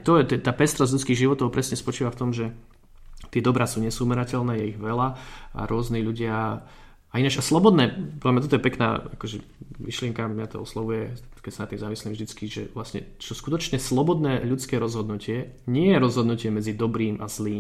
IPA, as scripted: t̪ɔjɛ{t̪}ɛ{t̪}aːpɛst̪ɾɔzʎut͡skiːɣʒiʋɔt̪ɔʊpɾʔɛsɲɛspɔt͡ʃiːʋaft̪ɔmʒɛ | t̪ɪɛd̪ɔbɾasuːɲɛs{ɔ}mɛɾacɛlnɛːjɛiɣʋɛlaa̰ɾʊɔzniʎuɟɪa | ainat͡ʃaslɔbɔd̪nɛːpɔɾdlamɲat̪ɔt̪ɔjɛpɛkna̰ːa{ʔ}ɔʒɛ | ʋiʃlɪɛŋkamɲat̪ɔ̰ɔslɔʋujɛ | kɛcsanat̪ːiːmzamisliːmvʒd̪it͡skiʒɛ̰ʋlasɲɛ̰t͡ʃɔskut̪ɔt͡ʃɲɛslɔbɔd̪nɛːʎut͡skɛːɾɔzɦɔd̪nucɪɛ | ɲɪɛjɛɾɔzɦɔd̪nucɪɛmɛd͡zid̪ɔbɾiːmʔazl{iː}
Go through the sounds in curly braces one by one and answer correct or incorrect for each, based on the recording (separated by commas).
correct, correct, incorrect, incorrect, correct